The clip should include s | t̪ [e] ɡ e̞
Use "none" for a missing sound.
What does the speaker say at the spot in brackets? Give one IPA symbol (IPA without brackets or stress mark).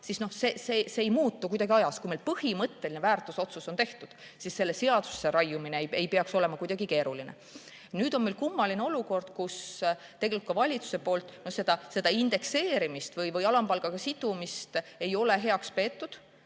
e